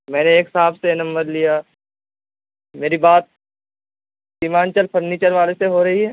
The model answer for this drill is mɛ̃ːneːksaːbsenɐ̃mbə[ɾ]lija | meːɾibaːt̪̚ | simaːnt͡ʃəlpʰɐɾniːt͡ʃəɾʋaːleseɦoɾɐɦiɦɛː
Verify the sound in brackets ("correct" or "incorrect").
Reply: correct